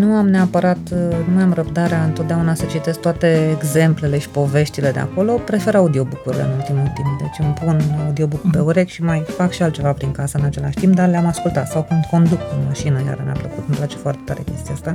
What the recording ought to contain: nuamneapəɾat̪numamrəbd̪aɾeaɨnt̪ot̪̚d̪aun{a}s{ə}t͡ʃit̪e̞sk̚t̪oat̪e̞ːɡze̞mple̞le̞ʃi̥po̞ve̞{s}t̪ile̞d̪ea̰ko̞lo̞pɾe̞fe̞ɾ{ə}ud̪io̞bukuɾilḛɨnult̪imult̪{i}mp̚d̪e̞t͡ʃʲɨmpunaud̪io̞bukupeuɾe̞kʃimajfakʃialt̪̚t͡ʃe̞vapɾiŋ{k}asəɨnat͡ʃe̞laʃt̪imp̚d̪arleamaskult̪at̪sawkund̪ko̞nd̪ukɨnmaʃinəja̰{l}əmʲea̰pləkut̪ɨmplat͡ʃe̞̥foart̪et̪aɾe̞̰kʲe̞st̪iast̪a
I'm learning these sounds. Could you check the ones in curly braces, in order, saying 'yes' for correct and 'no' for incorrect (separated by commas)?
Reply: yes, yes, no, no, yes, yes, no